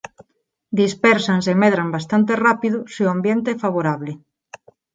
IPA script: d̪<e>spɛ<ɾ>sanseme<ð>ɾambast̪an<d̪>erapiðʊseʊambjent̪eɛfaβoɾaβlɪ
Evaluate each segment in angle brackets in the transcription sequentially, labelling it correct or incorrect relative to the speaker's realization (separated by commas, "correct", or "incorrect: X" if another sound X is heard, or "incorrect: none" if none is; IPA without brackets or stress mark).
incorrect: i, correct, correct, incorrect: t̪